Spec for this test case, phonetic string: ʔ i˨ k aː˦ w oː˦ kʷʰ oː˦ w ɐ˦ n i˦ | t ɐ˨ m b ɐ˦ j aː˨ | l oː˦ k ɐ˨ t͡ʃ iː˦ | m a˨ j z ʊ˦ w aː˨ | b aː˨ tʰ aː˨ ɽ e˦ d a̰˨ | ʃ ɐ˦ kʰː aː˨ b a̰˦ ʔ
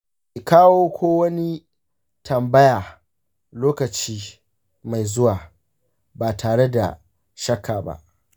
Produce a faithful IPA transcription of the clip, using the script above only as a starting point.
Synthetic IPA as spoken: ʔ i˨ k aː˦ w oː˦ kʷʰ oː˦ w ɐ˦ n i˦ | t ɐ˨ m b ɐ˦ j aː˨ | l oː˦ k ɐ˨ t͡ʃ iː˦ | m a˨ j z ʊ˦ w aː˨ | b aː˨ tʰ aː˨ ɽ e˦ d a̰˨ | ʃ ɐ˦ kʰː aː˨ b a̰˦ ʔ